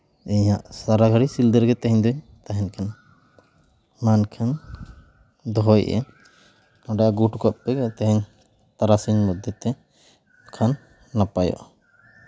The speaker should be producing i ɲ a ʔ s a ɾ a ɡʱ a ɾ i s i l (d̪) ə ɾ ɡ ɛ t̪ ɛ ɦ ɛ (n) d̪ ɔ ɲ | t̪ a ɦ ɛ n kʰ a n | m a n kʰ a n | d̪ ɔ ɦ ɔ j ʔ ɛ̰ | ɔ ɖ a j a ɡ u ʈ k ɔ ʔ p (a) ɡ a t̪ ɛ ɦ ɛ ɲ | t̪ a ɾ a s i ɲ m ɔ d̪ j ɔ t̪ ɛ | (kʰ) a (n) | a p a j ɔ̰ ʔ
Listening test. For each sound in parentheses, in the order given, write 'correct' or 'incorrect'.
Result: correct, incorrect: ɲ, incorrect: ɛ, correct, incorrect: nː

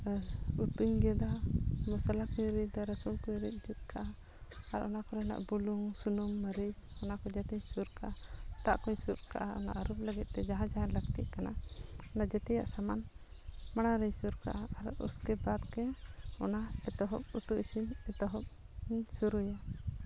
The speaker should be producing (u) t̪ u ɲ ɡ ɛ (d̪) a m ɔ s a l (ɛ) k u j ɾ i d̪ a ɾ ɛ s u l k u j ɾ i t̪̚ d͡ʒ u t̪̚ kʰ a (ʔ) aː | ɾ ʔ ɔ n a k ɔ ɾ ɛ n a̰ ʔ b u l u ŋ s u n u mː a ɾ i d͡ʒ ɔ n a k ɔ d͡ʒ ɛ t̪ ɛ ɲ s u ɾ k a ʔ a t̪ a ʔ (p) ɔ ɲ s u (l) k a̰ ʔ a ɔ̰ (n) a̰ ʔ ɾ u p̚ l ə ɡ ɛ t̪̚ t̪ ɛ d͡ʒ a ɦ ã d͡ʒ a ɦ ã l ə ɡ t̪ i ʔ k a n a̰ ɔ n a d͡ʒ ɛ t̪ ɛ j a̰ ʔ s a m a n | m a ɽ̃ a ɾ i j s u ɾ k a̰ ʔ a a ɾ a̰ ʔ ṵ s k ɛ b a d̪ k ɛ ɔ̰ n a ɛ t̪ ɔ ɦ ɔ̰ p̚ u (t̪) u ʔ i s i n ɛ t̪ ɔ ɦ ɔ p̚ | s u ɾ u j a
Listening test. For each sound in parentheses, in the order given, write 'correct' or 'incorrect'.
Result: correct, correct, incorrect: a, correct, incorrect: k, incorrect: ɾ, correct, correct

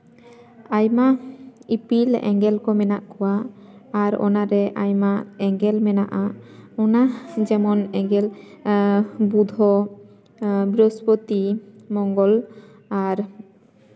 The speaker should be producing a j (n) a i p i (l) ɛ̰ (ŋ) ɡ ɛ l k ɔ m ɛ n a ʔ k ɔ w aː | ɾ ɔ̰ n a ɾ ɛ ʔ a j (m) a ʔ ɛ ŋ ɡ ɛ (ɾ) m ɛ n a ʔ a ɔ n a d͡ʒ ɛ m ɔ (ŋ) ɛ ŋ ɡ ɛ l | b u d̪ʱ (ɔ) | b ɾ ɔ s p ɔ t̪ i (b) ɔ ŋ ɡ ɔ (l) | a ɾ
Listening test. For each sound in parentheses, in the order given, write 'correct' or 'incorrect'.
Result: incorrect: m, correct, correct, correct, incorrect: l, incorrect: n, correct, incorrect: m, correct

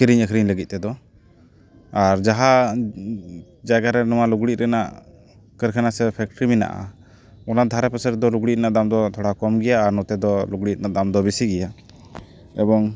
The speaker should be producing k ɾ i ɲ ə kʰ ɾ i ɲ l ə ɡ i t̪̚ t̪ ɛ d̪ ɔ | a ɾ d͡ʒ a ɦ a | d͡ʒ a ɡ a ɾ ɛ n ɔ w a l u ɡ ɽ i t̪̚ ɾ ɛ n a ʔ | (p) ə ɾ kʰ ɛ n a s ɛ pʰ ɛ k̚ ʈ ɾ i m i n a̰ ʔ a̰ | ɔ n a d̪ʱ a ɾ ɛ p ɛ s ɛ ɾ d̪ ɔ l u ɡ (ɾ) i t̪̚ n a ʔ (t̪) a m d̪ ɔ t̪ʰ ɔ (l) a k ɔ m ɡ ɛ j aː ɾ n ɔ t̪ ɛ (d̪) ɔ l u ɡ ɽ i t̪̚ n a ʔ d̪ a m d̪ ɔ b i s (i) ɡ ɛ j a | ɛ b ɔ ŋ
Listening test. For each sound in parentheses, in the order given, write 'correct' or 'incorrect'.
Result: incorrect: k, incorrect: ɽ, incorrect: d̪, incorrect: ɽ, correct, correct

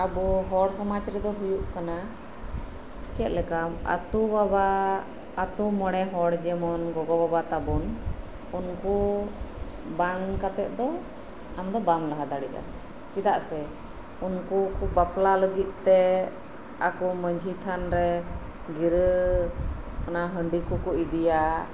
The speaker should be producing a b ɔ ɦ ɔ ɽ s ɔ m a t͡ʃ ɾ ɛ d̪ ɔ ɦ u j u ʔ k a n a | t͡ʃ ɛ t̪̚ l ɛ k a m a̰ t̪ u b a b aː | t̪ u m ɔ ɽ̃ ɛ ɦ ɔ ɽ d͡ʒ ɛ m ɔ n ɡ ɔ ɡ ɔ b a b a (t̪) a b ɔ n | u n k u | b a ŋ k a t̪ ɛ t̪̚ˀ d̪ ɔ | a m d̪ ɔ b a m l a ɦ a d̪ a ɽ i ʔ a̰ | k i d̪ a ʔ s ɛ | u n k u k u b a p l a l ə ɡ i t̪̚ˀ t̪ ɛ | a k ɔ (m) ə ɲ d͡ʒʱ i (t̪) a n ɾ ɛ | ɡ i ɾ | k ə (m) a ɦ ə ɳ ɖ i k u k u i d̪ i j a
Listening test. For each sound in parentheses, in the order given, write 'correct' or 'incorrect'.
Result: correct, correct, incorrect: t̪ʰ, incorrect: n

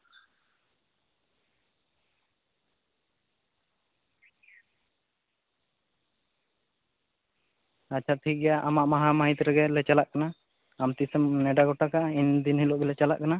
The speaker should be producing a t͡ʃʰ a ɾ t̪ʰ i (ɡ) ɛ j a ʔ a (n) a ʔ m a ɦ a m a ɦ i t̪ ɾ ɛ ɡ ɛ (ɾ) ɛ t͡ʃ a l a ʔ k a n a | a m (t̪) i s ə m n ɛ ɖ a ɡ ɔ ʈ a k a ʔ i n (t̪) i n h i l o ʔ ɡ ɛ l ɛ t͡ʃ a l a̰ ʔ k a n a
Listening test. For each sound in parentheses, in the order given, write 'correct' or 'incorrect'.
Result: correct, incorrect: m, incorrect: l, correct, incorrect: d̪

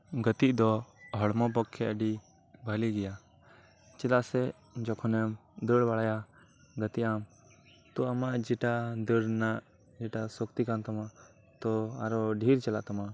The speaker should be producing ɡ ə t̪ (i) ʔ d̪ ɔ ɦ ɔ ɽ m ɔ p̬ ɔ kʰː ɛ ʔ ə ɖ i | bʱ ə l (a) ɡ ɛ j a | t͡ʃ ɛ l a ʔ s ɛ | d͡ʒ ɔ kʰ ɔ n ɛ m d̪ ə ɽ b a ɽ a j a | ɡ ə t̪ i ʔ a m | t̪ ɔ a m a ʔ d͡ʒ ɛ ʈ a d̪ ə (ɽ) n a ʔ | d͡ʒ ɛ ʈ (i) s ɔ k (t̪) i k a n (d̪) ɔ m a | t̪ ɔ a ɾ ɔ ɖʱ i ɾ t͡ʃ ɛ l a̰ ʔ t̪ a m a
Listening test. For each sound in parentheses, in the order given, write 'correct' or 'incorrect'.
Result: correct, incorrect: i, correct, incorrect: a, correct, incorrect: t̪

